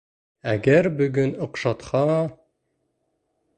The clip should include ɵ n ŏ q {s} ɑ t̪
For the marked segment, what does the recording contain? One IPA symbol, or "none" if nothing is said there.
ʃ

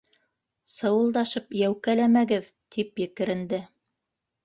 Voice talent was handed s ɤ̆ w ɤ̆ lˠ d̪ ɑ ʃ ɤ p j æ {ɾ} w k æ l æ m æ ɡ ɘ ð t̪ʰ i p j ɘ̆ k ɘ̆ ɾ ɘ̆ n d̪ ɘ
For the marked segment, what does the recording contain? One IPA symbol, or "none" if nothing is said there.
none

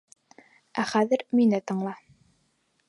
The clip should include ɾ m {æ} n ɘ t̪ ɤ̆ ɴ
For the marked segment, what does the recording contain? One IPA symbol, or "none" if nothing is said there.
i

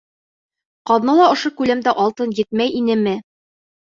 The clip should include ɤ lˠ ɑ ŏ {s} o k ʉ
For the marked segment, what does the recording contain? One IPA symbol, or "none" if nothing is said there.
ʃ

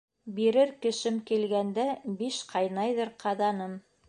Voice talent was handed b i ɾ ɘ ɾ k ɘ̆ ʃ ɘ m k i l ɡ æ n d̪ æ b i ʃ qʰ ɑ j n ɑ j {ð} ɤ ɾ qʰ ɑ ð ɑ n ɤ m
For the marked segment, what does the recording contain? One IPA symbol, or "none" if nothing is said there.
ð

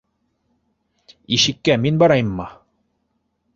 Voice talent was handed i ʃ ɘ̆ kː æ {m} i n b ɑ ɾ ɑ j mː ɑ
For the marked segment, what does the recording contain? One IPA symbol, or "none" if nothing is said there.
m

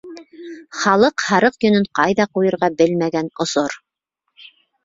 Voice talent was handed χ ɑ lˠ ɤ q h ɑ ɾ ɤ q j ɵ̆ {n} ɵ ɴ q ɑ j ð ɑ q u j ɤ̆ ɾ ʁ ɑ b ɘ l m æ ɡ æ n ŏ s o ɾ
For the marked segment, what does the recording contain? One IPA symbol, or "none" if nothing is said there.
n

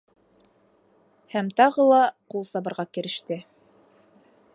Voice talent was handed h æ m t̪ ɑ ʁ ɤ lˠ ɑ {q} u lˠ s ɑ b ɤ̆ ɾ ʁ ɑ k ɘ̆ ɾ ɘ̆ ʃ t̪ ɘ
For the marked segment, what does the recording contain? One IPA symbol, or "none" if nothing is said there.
q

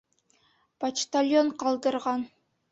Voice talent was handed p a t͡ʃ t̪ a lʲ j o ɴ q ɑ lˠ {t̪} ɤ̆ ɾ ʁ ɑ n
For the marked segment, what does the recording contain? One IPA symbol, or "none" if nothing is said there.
d̪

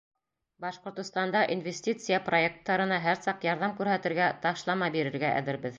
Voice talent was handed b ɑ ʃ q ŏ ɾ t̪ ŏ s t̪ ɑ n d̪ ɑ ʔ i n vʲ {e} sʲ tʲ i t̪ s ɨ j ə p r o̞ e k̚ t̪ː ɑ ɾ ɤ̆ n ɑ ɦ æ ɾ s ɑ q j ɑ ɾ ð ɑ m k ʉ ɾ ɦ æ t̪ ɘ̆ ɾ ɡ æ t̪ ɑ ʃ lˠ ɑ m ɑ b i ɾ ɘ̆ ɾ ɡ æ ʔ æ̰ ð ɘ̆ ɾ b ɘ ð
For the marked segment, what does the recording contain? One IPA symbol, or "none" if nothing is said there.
e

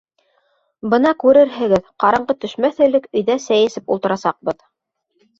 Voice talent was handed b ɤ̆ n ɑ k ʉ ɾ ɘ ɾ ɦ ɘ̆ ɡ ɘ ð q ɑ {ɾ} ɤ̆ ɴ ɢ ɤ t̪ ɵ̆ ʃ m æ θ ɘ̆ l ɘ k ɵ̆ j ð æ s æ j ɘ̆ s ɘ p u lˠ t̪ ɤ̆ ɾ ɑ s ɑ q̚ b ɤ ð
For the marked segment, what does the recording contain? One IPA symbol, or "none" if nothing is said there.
ɾ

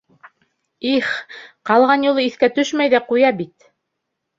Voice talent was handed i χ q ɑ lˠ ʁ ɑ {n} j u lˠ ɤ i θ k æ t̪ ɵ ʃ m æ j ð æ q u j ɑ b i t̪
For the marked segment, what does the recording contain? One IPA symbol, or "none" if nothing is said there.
n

